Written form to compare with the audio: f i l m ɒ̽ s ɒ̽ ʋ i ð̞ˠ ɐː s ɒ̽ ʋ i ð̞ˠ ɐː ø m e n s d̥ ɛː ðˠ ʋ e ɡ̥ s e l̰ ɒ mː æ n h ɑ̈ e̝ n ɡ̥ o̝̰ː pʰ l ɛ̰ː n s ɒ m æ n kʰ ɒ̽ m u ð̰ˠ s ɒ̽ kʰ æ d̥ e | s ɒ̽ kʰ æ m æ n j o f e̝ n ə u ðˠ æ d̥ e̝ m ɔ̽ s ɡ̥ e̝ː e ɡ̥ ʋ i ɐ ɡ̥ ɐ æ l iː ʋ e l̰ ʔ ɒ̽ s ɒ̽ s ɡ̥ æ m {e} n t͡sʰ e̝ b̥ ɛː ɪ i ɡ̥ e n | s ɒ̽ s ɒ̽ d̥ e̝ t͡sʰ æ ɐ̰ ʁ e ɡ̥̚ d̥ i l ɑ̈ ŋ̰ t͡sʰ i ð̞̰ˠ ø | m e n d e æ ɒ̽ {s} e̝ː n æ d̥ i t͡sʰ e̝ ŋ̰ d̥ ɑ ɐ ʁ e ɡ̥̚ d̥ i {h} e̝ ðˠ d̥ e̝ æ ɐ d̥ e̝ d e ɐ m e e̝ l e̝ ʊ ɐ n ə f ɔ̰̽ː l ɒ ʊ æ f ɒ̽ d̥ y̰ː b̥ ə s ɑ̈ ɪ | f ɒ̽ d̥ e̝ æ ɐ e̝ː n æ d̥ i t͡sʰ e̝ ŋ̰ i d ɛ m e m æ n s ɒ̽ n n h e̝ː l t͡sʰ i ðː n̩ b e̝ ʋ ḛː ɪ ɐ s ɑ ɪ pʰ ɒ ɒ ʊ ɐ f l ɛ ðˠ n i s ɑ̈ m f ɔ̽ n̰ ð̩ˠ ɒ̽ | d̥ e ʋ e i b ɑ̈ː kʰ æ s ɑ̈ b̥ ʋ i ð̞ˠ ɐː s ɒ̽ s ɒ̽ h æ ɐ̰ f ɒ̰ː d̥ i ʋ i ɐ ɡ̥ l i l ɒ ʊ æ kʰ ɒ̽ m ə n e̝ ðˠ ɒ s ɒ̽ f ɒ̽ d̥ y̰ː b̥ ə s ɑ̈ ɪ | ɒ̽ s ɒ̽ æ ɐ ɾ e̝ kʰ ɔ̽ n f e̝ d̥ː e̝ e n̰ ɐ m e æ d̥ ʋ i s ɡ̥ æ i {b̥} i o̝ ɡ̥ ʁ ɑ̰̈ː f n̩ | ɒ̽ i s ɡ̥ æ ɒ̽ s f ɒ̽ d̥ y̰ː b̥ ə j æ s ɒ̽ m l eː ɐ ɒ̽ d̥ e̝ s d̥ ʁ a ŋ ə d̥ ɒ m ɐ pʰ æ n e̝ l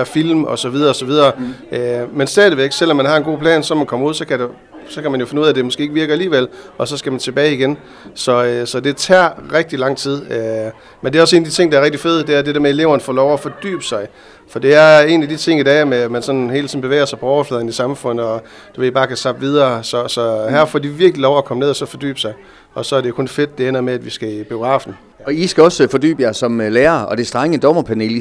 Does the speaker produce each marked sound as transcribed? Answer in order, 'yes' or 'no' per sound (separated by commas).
no, yes, no, yes